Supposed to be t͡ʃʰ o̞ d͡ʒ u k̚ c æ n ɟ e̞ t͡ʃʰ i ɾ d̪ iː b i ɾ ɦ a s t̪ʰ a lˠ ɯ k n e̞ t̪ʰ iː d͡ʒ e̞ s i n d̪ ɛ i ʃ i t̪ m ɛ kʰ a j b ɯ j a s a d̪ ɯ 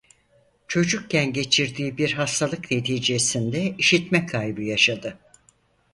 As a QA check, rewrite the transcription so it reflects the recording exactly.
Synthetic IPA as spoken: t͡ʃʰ o̞ d͡ʒ u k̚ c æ n ɟ e̞ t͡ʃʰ i ɾ d̪ iː b i ɾ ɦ a s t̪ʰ a lˠ ɯ k n e̞ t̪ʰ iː d͡ʒ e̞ s i n d̪ ɛ i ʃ i t̪ m ɛ kʰ a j b ɯ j a ʃ a d̪ ɯ

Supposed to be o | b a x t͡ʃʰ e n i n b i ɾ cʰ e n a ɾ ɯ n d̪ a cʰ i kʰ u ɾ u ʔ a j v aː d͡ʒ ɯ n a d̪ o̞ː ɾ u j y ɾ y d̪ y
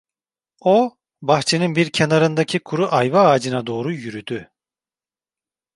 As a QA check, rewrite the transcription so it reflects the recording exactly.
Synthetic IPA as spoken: o | b a x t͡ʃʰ e n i n b i ɾ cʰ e n a ɾ ɯ n d̪ a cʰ i kʰ u ɾ u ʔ a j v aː d͡ʒ ɯ n a d̪ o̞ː ɾ u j y ɾ y d̪ y

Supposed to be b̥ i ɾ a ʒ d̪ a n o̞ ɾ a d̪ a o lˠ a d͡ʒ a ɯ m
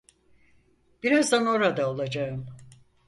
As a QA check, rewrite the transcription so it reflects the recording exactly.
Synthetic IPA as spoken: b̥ i ɾ a z d̪ a n o̞ ɾ a d̪ a o lˠ a d͡ʒ a ɯ m

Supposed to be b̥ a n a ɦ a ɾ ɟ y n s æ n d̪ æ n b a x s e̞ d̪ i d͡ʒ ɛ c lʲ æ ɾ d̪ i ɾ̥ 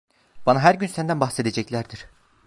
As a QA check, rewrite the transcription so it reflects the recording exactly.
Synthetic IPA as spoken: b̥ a n a ɦ æ ɾ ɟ y n s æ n d̪ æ n b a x s e̞ d̪ e d͡ʒ ɛ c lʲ æ ɾ d̪ i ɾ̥

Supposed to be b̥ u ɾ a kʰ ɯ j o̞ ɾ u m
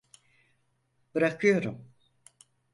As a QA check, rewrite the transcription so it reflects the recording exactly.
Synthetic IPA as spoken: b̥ ɯ ɾ a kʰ ɯ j o̞ ɾ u m

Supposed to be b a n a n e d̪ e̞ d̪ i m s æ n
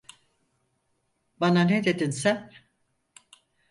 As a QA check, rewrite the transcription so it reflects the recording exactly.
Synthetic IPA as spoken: b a n a n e d̪ e̞ d̪ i n s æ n

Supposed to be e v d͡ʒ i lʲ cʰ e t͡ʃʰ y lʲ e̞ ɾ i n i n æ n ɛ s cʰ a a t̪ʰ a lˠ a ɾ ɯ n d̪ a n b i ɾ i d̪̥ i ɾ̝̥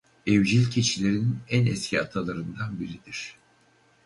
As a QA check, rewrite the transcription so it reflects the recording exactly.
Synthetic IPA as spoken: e v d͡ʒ i lʲ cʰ e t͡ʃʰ i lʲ e̞ ɾ i n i n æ n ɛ s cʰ i a t̪ʰ a lˠ a ɾ ɯ n d̪ a n b i ɾ i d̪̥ i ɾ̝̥

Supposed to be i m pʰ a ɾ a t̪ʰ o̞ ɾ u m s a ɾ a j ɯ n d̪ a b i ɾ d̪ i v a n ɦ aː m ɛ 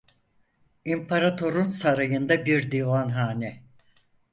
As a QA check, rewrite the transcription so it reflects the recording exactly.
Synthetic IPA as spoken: i m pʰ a ɾ a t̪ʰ o̞ ɾ u n s a ɾ a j ɯ n d̪ a b i ɾ d̪ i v a n ɦ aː n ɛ

